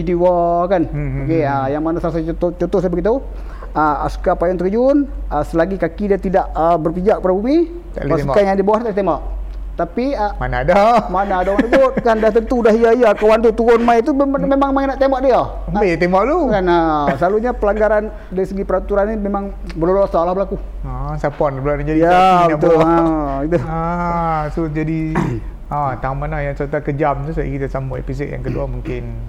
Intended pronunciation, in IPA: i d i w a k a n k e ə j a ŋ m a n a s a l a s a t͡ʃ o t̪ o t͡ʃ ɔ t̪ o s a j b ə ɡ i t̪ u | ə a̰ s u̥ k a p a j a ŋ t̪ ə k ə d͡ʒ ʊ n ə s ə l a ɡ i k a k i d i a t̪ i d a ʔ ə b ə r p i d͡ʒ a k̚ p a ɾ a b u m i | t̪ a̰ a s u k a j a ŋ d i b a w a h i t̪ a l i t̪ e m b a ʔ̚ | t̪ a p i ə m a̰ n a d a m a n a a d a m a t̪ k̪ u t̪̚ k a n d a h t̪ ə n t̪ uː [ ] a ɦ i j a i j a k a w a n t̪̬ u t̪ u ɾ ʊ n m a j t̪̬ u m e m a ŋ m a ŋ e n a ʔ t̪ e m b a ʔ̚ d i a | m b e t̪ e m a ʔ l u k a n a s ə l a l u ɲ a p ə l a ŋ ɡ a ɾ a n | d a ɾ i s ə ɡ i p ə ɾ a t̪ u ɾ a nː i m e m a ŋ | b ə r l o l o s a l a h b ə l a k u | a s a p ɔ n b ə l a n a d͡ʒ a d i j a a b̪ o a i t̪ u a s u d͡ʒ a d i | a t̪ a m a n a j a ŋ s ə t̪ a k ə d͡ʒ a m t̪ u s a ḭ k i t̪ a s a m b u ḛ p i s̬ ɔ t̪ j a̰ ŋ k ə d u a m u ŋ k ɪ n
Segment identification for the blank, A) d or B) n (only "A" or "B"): A